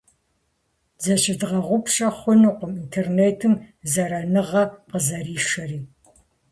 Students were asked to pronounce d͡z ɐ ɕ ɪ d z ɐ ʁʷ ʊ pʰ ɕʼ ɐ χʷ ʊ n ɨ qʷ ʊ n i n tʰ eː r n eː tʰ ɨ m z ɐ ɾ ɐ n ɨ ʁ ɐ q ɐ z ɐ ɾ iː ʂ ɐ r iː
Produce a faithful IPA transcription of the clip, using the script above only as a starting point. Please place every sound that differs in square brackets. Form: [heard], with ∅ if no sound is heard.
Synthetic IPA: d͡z ɐ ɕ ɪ d [ʁ] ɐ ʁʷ ʊ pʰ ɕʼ ɐ χʷ ʊ n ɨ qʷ ʊ [m] i n tʰ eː r n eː tʰ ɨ m z ɐ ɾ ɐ n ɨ ʁ ɐ q [ə] z ɐ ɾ iː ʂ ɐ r iː